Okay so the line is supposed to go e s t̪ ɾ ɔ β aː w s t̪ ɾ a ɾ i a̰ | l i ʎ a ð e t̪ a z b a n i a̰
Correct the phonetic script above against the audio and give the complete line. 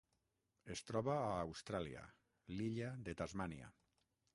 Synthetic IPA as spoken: e s t̪ ɾ ɔ β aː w s t̪ ɾ a l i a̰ | l i ʎ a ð e t̪ a z m a n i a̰